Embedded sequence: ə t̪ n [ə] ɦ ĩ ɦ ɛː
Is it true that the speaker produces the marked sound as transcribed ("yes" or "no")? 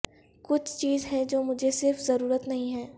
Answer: no